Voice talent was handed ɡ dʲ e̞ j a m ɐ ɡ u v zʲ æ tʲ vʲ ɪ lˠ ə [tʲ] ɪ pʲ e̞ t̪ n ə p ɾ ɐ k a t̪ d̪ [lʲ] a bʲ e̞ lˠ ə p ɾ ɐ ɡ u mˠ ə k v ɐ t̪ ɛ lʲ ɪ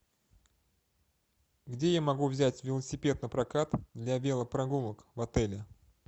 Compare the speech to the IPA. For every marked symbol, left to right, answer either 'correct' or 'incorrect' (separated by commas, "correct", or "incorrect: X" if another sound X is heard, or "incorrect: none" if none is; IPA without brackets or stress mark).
incorrect: sʲ, correct